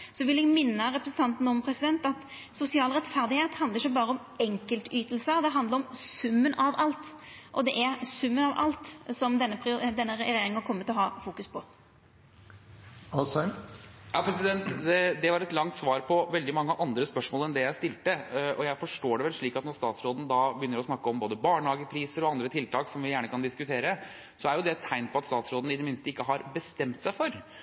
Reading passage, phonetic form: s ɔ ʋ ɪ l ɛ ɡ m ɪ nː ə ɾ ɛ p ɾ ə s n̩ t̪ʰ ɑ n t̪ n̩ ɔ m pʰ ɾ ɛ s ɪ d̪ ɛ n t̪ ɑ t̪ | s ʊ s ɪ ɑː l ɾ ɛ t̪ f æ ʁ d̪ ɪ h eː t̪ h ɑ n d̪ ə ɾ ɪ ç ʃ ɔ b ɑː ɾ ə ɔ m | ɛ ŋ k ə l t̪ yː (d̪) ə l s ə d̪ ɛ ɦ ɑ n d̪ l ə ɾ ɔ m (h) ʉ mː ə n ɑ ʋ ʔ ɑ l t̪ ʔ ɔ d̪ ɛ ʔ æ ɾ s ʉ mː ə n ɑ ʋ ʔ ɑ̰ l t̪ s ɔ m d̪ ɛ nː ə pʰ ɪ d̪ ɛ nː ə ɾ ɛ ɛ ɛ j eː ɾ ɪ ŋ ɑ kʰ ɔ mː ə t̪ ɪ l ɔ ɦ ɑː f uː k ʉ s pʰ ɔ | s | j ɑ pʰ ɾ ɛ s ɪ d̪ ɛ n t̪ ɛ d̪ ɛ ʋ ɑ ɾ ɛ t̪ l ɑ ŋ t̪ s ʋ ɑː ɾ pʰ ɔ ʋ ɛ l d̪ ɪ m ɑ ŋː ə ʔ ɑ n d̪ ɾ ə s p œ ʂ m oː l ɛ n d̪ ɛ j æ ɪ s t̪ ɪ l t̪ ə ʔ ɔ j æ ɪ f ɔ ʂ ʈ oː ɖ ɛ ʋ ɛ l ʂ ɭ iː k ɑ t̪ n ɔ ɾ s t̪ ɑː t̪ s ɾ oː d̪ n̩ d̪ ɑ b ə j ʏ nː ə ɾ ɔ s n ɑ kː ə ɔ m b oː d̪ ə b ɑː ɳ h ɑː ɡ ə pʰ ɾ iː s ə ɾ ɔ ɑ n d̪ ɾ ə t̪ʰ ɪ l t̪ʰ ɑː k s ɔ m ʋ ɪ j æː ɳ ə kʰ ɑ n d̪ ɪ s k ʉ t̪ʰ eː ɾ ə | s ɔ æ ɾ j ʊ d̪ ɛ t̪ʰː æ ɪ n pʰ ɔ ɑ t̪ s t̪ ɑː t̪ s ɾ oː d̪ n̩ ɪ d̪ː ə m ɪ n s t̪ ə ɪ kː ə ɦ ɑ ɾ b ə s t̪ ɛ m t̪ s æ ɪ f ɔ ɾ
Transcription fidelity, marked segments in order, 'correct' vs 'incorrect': incorrect: t̪, incorrect: s

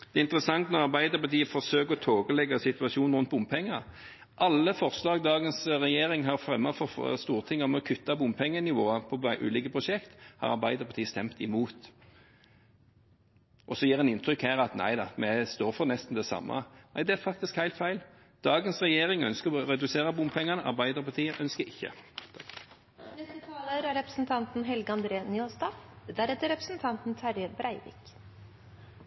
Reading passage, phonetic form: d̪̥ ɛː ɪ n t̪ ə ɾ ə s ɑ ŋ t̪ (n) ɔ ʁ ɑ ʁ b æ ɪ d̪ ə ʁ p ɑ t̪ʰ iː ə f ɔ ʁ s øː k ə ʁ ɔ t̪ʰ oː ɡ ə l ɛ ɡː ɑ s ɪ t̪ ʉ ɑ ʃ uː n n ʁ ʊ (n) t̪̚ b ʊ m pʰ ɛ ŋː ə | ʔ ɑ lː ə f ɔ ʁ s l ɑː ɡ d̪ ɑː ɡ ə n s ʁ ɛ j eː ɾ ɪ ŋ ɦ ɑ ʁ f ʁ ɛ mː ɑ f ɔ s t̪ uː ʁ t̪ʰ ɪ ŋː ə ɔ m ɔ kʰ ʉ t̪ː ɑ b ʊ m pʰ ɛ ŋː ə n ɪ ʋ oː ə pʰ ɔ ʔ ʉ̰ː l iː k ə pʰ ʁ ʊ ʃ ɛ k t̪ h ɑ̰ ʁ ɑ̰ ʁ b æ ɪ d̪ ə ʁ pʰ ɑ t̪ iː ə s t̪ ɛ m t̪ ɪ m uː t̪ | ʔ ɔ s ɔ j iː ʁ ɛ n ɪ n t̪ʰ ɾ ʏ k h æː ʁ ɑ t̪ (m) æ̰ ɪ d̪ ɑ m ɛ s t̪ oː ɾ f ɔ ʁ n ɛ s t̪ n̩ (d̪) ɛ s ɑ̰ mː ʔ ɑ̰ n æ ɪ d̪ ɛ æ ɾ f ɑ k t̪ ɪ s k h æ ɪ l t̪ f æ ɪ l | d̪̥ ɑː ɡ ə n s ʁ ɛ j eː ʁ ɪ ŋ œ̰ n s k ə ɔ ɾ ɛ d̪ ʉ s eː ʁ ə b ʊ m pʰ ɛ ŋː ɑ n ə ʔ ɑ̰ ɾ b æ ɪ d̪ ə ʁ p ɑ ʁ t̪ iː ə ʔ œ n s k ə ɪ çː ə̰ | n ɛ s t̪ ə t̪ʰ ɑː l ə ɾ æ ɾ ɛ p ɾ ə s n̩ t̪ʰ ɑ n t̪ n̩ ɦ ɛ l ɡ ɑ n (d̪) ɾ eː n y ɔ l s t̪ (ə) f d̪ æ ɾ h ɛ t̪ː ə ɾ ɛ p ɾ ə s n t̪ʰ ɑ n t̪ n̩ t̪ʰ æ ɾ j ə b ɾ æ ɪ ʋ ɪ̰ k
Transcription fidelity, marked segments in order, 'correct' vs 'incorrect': correct, correct, incorrect: n, correct, correct, incorrect: ɑ

